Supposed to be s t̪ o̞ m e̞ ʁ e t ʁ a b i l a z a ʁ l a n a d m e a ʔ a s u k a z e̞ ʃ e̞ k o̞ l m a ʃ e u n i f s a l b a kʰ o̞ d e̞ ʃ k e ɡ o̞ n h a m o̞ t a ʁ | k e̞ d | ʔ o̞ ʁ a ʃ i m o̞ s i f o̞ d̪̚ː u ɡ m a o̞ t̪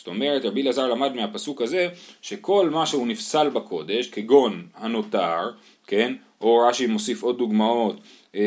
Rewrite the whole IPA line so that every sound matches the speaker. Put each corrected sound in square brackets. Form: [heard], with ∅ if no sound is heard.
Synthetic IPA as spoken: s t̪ o̞ m e̞ ʁ e t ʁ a b i l a z a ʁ l a [m] a d m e a [p] a s u k a z e̞ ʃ e̞ k o̞ l m a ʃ e u n i f s a l b a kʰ o̞ d e̞ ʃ k e ɡ o̞ n h a [n] o̞ t a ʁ | k e̞ [n] | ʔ o̞ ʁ a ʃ i m o̞ s i f o̞ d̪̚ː u ɡ m a o̞ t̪